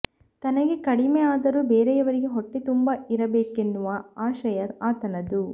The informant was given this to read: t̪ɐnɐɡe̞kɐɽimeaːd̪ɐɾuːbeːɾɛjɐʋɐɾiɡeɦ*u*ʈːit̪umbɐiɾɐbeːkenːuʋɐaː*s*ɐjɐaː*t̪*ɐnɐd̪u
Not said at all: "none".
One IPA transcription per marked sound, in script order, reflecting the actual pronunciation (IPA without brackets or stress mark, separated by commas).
o, ʃ, t̪